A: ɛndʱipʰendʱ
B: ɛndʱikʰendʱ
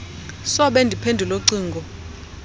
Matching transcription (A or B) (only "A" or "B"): A